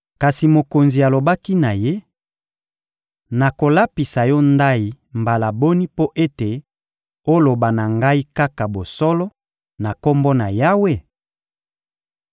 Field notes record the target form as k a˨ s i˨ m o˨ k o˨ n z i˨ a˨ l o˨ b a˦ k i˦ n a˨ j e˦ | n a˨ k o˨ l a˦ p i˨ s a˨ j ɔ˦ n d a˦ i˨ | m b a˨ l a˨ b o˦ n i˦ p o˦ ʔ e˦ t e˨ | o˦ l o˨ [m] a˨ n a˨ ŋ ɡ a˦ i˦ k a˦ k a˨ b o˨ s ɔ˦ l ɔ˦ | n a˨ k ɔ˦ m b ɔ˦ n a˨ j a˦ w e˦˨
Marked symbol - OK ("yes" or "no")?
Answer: no